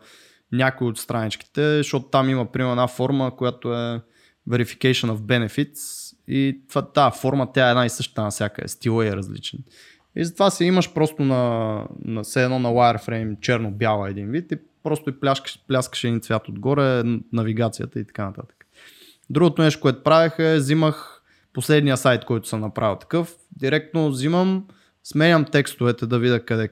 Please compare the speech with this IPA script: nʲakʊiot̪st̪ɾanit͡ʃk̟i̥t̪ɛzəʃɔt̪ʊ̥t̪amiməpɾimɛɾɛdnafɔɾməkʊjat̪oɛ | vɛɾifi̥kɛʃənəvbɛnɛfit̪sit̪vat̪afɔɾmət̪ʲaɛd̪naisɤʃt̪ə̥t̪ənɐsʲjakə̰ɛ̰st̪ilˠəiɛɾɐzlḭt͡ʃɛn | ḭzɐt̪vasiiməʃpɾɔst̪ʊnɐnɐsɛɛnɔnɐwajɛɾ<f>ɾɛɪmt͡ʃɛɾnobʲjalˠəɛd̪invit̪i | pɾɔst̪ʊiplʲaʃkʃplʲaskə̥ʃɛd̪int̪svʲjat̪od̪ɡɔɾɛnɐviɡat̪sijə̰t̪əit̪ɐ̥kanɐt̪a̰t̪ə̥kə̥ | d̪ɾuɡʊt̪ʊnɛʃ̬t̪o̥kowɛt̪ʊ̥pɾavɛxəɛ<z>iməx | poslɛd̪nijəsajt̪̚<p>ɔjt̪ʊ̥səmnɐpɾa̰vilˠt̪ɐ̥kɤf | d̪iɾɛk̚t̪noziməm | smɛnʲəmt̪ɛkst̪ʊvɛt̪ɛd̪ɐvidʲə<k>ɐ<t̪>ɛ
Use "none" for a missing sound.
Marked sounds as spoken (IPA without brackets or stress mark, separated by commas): f, z, k, k, d̪